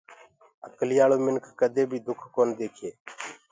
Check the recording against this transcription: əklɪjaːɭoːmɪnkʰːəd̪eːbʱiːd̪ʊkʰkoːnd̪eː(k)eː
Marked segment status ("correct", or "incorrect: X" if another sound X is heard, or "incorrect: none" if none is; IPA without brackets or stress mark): incorrect: kʰ